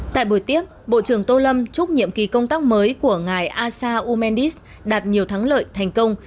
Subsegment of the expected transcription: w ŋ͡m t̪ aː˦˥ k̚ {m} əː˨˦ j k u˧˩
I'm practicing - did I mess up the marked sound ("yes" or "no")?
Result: no